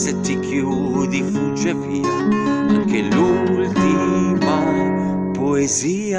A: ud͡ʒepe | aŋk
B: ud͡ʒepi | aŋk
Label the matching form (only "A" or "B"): B